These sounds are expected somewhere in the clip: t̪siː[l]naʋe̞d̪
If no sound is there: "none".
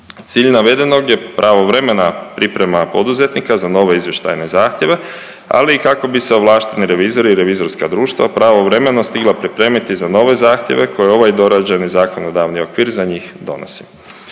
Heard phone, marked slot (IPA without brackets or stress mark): ʎ